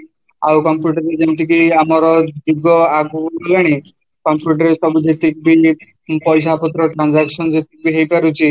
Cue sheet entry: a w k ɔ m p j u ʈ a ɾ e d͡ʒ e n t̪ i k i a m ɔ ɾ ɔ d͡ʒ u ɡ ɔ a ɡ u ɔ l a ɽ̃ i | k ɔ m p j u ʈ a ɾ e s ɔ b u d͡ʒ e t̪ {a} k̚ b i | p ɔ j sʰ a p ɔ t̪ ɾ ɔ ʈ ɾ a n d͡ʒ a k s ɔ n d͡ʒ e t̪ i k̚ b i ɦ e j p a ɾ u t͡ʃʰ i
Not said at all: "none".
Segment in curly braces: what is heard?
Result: i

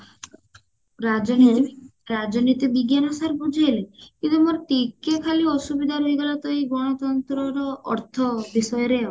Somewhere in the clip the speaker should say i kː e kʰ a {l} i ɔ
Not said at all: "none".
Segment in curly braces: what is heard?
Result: l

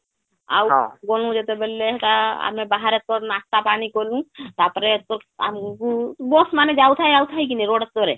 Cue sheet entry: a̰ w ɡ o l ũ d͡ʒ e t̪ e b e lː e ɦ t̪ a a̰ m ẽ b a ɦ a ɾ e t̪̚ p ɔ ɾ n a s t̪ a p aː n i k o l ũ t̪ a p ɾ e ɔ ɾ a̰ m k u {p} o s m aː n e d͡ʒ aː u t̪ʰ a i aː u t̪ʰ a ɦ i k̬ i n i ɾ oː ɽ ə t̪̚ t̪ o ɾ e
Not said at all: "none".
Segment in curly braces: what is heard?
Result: b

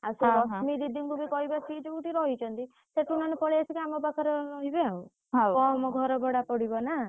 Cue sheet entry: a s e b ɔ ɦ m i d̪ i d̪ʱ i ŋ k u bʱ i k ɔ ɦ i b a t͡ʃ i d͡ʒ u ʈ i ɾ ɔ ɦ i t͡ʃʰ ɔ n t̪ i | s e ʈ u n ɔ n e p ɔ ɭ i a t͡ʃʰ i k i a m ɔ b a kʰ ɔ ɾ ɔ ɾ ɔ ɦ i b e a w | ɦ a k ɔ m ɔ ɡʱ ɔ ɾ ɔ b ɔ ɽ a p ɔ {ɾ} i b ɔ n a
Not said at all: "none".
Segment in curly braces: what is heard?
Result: ɽ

